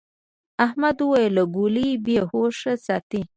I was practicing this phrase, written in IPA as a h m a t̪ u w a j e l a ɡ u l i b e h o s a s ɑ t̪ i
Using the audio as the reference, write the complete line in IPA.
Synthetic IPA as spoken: a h m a d̪ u w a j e l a ɡ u l i b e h o ʂ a s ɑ t̪ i